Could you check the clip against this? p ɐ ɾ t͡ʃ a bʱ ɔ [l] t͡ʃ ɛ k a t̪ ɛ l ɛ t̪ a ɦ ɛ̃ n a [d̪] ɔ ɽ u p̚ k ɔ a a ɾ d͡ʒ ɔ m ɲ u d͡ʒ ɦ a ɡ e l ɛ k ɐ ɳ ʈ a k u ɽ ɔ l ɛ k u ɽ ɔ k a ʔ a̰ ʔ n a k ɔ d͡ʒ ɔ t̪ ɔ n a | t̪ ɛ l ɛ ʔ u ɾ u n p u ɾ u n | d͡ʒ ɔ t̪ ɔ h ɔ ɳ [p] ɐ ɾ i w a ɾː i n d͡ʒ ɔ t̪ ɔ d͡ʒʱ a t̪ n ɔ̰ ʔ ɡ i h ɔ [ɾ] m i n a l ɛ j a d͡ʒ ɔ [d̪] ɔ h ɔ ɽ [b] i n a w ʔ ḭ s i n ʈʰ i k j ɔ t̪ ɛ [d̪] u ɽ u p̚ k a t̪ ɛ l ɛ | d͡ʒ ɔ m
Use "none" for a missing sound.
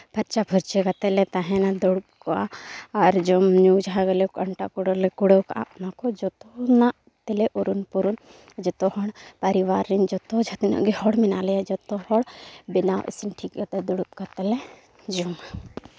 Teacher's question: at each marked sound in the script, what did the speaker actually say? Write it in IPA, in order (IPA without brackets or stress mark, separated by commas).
ɾ, d̪, p, ɽ, t̪, b, d̪